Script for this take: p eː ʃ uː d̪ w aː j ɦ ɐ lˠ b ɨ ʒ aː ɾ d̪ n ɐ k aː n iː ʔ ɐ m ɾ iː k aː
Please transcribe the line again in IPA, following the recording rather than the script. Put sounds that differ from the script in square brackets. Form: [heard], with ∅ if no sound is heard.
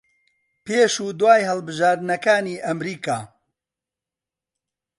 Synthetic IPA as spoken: p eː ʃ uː d̪ w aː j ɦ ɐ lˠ b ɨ ʒ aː ɾ d̪ n ɐ k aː n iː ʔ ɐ m ɾ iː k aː